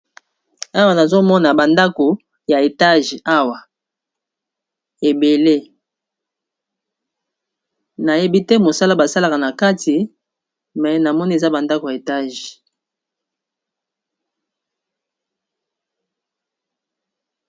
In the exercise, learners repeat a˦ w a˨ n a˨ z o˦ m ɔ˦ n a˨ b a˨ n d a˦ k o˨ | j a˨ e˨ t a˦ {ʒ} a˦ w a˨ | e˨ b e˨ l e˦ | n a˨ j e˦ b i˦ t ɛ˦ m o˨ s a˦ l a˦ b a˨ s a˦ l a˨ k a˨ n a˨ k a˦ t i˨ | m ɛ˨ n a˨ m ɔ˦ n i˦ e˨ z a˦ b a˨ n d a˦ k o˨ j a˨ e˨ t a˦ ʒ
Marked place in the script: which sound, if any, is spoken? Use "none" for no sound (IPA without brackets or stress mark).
ʒ